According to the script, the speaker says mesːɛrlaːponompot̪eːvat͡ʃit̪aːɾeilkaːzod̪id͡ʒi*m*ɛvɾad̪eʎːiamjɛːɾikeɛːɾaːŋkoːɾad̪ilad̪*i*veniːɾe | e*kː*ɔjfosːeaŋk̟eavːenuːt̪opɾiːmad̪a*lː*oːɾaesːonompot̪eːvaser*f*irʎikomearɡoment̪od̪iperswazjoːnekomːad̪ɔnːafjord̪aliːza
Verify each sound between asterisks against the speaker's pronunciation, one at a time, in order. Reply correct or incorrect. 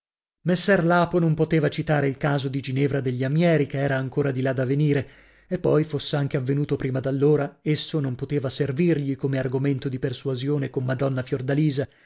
incorrect, incorrect, incorrect, correct, incorrect

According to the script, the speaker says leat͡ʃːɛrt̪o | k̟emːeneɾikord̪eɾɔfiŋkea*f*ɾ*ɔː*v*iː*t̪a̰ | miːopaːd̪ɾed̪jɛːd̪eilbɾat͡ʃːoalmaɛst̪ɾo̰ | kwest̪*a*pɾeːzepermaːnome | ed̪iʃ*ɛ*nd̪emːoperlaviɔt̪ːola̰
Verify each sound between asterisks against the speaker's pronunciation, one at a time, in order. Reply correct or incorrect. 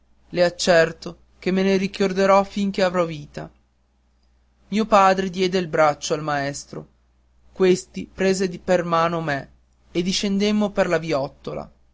incorrect, incorrect, correct, incorrect, incorrect

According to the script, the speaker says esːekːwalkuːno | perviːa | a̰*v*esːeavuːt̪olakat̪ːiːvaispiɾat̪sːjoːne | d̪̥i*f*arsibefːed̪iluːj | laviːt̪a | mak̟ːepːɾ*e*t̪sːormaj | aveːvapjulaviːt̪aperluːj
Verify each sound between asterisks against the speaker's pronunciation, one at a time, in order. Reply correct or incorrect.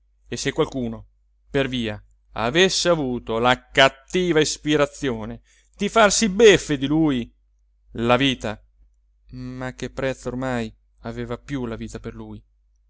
correct, correct, incorrect

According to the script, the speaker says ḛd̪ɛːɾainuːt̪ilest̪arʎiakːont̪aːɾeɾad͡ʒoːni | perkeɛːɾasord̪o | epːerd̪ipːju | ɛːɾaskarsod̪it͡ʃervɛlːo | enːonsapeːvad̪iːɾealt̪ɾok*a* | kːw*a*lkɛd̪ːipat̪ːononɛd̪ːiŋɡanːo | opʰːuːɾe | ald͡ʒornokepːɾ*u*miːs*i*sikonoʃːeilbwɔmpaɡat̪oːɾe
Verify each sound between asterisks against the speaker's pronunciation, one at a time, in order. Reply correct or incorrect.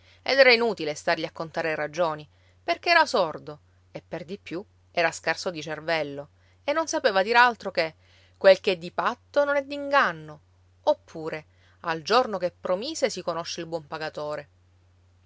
incorrect, incorrect, incorrect, incorrect

